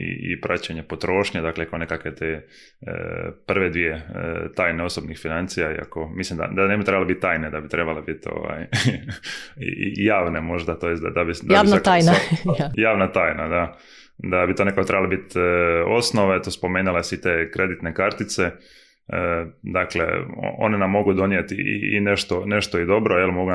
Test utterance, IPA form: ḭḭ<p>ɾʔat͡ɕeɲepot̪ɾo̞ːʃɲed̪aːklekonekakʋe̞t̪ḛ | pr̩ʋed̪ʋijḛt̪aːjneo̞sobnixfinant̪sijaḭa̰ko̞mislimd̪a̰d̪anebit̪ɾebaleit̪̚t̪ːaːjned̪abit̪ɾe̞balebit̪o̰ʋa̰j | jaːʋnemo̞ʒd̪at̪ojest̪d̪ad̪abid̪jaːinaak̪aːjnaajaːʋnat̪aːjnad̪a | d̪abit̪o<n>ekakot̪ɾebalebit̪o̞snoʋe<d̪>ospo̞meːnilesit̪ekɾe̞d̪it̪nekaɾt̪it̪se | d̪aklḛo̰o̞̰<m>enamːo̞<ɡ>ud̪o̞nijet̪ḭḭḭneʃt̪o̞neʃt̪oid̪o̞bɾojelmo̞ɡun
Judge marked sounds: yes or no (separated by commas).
yes, yes, no, no, yes